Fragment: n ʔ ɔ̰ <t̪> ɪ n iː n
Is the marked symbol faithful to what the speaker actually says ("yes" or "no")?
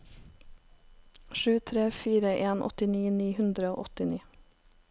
yes